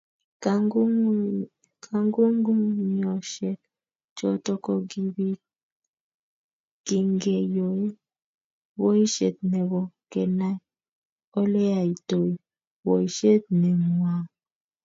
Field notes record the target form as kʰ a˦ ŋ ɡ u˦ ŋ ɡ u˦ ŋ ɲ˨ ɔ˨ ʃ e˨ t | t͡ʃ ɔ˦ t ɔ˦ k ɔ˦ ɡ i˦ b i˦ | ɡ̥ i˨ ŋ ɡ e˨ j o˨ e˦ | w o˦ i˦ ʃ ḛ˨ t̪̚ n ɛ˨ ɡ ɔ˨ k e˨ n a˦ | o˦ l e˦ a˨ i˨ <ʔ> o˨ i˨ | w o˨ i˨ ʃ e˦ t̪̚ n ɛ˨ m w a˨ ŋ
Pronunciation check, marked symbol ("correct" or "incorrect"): incorrect